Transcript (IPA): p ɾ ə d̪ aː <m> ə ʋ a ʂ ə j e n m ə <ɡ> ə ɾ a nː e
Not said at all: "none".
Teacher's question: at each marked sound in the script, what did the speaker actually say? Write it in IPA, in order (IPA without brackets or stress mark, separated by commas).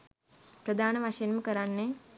n, k